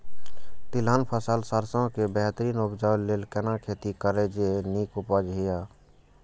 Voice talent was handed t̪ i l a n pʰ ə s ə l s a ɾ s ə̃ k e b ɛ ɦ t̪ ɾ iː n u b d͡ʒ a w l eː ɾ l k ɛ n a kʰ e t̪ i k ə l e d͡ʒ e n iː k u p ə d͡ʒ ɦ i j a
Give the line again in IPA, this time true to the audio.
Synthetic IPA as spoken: t̪ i l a n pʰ ə s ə l s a ɾ s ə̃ k e b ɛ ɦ t̪ ɾ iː n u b d͡ʒ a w l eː l k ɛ n a kʰ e t̪ i k ə ɾ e d͡ʒ e n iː k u p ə d͡ʒ ɦ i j a